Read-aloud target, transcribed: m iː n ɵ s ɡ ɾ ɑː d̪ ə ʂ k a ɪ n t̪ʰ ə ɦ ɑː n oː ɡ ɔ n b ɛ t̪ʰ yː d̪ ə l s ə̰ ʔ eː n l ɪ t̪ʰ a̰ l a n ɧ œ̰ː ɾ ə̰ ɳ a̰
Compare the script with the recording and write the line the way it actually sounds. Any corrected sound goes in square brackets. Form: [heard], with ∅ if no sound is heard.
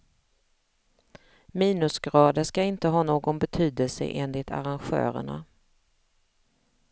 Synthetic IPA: m iː n ɵ s ɡ ɾ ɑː d̪ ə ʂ k a ɪ n [t̪] ə ɦ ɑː n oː ɡ ɔ n b ɛ t̪ʰ yː d̪ ə l s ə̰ ʔ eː n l ɪ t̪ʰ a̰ [ɾ] a n ɧ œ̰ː ɾ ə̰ ɳ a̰